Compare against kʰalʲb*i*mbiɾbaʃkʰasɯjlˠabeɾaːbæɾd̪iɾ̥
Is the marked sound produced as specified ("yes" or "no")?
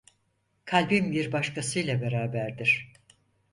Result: yes